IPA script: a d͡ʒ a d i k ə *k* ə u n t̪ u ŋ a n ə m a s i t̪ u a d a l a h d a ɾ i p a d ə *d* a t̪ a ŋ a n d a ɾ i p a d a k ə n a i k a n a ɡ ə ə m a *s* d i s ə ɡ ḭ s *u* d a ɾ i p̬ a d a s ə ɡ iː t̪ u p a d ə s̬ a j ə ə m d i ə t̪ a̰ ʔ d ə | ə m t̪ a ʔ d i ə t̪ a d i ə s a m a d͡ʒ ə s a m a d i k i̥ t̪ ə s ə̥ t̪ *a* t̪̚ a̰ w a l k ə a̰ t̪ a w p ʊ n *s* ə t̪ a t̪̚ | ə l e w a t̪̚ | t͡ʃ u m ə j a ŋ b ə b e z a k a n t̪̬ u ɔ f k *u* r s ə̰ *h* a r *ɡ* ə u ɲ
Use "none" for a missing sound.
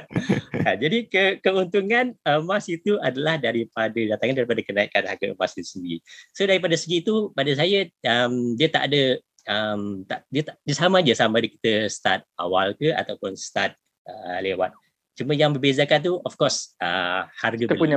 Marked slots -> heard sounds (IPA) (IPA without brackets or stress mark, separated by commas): k, d, s, o, a, s, ɔ, h, ɡ